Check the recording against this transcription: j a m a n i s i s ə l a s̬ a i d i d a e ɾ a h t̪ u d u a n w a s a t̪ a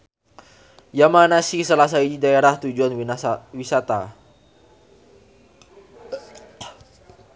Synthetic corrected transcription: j a m a n a s i s ə l a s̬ a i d i d a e ɾ a h t̪ u d͡ʒ u a n w i s a t̪ a